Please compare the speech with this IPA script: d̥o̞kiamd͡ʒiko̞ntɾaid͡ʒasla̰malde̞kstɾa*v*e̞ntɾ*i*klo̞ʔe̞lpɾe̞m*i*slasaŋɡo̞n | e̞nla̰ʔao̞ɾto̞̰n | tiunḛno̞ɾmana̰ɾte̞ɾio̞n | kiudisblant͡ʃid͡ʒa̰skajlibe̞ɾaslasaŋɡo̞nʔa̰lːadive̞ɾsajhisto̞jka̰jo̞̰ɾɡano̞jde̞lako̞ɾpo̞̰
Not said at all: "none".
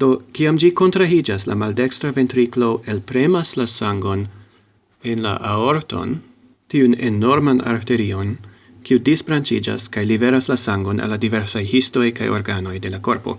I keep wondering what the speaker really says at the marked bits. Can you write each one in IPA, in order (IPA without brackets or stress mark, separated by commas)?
v, i, a